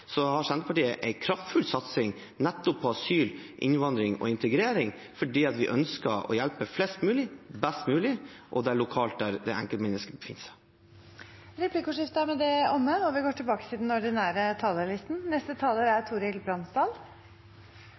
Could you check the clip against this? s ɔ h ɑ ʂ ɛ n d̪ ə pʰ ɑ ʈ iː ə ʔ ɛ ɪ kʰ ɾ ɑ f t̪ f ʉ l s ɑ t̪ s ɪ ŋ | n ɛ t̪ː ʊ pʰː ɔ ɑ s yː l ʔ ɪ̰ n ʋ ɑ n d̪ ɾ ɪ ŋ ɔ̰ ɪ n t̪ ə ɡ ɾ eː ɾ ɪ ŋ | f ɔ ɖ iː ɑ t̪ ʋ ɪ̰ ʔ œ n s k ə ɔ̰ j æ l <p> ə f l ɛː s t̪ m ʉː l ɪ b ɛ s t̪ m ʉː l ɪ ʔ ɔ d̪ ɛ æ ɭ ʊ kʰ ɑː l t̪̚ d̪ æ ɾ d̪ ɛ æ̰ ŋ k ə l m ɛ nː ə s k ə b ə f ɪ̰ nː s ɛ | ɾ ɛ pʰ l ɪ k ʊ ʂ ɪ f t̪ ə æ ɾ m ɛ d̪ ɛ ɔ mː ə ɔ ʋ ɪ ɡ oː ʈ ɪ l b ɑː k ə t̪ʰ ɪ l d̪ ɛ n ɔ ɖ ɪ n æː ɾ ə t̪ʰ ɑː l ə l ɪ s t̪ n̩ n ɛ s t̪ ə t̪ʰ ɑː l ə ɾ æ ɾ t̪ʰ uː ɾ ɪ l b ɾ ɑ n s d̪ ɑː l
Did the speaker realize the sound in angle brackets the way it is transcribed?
yes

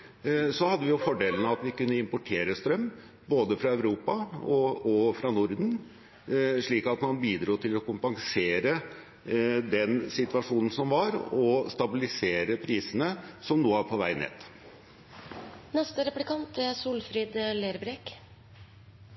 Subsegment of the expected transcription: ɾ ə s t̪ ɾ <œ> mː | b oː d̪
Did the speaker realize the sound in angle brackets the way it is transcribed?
yes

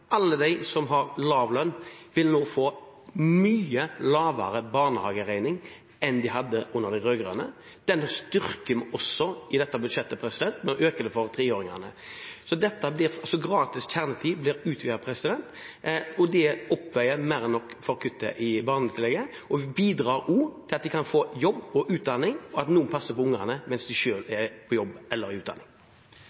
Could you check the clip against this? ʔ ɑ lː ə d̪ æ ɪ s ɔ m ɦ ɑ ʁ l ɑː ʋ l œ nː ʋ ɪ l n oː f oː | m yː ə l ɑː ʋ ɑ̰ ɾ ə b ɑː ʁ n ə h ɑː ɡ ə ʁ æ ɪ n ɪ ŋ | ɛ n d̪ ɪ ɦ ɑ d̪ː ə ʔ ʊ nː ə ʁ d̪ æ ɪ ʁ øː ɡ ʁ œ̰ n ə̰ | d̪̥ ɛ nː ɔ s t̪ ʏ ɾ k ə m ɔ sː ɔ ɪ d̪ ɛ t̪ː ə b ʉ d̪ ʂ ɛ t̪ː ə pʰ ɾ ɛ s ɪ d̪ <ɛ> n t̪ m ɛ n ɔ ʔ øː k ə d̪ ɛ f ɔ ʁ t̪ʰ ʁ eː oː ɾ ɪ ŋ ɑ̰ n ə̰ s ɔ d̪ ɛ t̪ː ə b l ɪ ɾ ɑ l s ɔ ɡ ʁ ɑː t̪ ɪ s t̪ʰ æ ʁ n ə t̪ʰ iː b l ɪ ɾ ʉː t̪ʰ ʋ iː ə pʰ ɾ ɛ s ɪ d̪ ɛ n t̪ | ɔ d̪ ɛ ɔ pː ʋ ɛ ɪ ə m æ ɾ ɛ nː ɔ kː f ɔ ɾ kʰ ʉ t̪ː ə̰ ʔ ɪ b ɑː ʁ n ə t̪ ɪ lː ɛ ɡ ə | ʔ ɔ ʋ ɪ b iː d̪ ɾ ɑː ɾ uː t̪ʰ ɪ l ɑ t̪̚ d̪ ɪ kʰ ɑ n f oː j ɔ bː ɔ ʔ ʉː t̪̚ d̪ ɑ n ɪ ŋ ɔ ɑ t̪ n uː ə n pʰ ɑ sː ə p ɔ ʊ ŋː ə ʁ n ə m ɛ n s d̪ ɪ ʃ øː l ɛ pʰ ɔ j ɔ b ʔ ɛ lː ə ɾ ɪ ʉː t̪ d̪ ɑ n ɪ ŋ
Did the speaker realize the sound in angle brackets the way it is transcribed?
yes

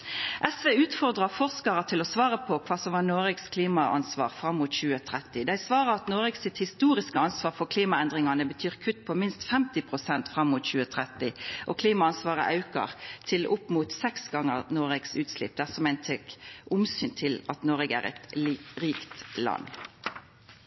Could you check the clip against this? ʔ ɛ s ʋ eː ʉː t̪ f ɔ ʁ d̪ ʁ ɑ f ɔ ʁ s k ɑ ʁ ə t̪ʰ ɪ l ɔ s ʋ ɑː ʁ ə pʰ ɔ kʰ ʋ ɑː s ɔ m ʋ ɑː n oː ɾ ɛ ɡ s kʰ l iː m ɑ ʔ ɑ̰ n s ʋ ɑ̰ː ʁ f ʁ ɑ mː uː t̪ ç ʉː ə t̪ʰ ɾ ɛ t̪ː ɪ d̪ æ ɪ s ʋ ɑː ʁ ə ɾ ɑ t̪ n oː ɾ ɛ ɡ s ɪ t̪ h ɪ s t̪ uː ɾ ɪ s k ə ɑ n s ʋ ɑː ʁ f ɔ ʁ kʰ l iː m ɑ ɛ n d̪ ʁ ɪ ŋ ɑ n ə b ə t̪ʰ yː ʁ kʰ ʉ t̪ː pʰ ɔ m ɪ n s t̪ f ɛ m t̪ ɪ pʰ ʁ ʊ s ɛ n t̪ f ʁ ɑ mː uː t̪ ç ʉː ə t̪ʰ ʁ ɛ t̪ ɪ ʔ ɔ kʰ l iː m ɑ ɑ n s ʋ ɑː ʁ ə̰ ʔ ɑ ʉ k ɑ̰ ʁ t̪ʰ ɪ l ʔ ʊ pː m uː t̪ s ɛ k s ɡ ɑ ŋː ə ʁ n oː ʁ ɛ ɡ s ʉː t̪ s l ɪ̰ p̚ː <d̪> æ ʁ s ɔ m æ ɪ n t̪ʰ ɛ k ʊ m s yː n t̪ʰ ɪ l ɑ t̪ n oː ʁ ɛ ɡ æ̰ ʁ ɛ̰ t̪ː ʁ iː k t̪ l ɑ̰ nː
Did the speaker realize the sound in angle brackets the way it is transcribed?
yes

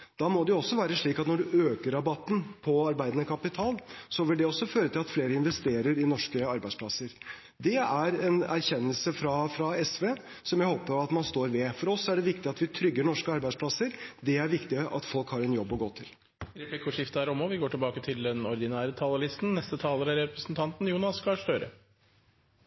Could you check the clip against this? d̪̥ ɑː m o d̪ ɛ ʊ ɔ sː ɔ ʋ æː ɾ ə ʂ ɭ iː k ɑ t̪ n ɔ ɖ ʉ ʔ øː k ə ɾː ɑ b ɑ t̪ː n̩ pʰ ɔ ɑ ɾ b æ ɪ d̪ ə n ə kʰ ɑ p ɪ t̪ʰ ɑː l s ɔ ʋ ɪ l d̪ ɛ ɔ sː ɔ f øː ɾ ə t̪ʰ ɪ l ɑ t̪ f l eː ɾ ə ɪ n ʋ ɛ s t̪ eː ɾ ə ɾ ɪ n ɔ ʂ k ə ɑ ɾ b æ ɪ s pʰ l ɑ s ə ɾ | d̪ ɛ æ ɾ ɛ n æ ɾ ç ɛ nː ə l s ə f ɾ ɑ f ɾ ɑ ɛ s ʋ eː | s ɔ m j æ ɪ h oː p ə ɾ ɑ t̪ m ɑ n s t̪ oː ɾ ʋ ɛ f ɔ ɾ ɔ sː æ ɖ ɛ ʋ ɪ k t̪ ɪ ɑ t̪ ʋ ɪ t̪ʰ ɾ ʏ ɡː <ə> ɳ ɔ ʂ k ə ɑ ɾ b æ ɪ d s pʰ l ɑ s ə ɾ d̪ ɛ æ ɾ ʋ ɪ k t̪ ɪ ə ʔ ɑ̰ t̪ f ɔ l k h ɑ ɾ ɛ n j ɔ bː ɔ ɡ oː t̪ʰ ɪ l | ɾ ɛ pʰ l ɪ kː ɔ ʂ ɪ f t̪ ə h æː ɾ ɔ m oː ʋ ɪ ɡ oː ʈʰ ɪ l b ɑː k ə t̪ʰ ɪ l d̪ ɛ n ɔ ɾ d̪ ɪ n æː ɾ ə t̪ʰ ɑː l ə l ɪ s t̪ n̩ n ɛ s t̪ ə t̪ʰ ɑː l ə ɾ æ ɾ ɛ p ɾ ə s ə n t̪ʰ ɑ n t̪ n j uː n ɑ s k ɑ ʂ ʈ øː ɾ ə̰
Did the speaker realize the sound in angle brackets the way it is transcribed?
yes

